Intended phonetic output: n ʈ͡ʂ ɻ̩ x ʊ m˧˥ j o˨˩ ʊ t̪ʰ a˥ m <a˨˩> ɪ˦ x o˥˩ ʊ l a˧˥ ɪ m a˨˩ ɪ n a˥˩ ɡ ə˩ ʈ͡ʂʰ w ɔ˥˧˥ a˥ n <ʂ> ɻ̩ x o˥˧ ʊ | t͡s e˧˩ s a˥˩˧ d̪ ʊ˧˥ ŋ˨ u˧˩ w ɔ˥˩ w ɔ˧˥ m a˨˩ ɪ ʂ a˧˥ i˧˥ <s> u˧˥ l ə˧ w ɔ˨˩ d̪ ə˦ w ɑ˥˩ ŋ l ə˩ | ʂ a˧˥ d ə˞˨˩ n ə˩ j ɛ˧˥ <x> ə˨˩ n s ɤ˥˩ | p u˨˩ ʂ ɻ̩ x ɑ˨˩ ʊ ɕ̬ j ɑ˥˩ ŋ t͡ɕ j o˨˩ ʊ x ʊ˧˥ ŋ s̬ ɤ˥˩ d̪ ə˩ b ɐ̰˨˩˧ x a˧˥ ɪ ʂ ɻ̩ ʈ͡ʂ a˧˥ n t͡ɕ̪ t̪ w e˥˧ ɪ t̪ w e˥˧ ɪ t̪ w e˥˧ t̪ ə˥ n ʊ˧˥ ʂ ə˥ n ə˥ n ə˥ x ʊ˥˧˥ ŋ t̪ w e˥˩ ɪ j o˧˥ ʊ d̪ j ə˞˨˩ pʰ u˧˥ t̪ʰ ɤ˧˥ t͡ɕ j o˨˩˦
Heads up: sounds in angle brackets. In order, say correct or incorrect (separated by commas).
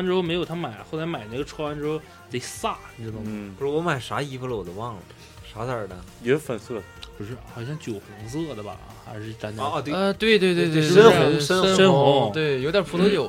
correct, incorrect, incorrect, incorrect